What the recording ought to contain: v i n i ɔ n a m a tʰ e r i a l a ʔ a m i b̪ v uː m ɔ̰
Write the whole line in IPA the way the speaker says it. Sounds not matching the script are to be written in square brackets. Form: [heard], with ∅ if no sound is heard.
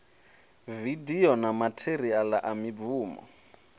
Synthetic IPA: v i [d] i ɔ n a m a tʰ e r i a l a ʔ a m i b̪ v uː m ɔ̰